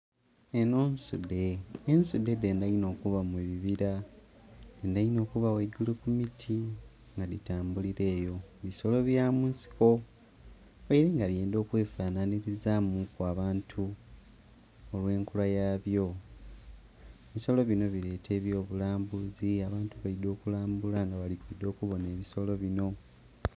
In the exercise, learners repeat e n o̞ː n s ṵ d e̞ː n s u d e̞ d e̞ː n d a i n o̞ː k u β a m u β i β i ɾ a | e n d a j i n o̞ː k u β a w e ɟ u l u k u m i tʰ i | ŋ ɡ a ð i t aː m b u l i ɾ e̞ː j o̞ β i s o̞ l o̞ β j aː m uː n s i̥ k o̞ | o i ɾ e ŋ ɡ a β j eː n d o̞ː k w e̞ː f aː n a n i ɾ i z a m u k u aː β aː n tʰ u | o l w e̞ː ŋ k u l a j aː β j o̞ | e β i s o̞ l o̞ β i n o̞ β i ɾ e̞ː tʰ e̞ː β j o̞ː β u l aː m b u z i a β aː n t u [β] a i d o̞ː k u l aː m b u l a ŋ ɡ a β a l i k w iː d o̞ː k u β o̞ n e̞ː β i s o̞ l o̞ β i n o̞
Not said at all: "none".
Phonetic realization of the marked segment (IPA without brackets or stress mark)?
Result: β